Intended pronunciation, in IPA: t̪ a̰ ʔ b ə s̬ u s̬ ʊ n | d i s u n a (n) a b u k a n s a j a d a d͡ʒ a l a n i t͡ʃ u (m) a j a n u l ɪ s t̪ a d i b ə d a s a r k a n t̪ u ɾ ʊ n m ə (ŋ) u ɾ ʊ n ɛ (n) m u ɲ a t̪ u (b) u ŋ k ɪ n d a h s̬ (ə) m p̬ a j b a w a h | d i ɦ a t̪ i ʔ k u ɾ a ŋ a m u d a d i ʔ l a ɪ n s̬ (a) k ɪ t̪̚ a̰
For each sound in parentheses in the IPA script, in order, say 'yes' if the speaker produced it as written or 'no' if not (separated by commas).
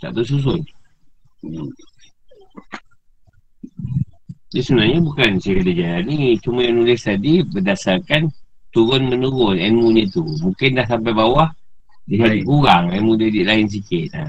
no, yes, no, yes, no, no, no